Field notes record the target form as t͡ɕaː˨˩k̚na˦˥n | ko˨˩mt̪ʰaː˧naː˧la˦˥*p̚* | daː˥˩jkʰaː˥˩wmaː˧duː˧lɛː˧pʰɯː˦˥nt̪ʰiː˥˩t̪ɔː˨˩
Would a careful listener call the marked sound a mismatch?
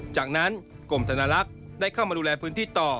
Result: yes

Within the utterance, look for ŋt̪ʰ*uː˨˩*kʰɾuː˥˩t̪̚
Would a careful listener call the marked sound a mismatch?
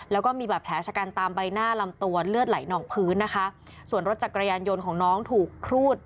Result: no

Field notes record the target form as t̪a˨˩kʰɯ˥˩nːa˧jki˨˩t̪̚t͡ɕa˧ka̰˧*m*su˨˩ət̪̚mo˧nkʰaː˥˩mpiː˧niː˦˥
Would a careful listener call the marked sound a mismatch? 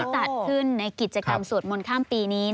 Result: no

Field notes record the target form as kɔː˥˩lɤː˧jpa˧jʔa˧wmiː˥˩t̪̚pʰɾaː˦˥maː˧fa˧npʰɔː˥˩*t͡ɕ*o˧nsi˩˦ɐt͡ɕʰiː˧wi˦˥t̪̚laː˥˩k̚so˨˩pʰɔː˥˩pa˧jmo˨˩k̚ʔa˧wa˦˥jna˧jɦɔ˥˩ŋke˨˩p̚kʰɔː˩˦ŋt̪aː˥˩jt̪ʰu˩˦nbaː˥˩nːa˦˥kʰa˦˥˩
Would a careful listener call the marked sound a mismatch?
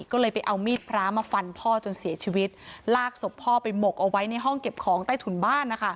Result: no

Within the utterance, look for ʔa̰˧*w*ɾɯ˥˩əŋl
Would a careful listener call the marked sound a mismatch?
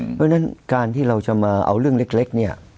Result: no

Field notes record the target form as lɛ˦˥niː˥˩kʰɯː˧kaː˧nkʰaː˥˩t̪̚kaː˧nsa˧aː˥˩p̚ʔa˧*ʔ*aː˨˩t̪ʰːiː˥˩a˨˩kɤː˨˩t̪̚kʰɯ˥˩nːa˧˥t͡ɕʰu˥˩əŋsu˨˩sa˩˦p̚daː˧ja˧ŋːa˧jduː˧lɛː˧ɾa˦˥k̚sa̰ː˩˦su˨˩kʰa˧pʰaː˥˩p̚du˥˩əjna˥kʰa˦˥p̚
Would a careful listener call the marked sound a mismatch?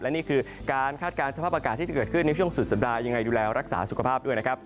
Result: yes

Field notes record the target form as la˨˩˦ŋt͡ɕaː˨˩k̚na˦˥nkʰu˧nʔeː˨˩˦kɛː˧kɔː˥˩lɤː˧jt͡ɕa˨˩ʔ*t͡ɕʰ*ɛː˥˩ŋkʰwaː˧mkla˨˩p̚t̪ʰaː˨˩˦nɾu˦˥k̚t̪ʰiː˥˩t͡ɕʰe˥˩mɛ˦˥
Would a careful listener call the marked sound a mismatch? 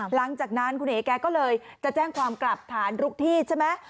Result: yes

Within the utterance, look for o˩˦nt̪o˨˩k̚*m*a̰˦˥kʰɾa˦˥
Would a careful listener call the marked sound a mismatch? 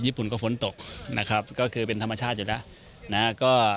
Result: yes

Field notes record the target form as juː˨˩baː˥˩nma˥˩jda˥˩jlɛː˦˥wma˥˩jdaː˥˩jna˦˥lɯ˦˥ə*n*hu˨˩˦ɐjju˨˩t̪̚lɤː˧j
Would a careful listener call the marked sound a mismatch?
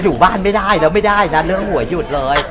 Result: yes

